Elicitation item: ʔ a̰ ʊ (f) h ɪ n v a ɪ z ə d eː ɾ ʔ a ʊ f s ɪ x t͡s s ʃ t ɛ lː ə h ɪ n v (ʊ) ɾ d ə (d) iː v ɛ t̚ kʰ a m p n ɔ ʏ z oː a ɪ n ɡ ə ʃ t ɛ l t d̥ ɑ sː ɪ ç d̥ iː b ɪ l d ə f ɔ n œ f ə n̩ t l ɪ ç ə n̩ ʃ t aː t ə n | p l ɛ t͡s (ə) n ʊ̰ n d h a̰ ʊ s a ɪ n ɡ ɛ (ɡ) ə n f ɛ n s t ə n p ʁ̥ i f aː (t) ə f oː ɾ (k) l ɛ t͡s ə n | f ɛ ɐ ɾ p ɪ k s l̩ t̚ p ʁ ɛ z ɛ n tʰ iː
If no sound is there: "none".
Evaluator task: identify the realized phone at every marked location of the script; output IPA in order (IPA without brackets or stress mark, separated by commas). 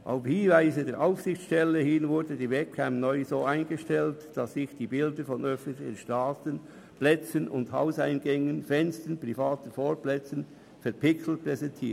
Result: f, ʊ, d, ə, ŋ, t, p